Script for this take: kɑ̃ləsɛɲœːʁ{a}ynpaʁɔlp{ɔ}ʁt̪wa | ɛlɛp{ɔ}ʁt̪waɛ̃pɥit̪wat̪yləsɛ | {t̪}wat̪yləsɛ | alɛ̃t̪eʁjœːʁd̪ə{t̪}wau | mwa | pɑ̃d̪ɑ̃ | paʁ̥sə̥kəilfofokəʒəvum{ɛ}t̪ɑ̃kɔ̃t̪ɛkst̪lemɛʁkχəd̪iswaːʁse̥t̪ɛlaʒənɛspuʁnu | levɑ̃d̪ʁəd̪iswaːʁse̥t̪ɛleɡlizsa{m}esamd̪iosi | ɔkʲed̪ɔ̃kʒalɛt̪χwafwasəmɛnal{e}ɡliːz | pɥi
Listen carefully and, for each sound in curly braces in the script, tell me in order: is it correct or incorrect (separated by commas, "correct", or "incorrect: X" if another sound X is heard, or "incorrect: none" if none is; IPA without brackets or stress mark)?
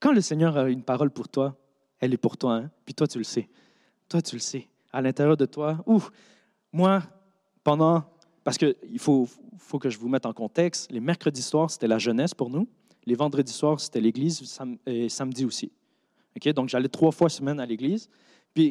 correct, incorrect: u, incorrect: u, correct, correct, correct, correct, correct